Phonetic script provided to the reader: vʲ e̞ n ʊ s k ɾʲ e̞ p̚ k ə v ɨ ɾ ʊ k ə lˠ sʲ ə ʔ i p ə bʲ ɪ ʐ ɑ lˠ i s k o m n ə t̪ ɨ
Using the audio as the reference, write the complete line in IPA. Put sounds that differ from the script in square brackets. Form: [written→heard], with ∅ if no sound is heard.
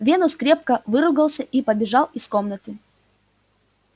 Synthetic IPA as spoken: vʲ e̞ n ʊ s k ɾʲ e̞ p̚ k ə v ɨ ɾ ʊ [k→ɡ] ə lˠ sʲ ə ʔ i p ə bʲ ɪ ʐ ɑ lˠ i s k o m n ə t̪ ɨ